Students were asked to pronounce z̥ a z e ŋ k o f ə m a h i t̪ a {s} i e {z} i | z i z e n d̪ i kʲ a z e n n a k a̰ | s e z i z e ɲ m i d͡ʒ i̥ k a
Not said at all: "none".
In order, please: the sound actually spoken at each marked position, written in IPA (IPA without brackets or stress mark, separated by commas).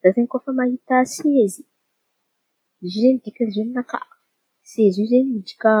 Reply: s, z